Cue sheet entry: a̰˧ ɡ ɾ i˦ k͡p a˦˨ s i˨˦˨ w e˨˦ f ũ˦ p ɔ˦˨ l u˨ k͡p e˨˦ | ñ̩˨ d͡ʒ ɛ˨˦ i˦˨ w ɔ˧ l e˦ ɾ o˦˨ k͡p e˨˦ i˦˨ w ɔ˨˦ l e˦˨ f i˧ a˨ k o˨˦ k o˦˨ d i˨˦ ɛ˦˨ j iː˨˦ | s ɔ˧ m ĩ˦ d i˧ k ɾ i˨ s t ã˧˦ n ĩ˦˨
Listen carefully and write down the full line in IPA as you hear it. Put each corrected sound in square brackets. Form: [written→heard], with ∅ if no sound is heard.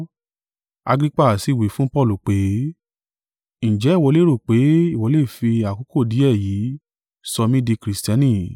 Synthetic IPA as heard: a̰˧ ɡ ɾ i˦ k͡p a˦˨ s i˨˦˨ w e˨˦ f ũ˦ p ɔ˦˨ l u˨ k͡p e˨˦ | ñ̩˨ d͡ʒ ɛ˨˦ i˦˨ w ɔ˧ l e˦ ɾ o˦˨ k͡p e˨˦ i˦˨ w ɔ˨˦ l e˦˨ f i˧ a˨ k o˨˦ k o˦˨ d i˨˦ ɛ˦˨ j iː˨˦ | s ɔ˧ m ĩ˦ d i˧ k ɾ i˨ s t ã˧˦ n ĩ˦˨